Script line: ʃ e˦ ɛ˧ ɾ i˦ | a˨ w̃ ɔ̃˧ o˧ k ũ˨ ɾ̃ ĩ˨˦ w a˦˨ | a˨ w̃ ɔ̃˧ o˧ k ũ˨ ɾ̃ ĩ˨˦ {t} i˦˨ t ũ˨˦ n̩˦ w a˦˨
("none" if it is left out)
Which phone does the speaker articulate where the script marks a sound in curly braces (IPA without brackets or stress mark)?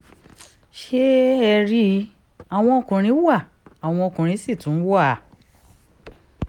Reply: s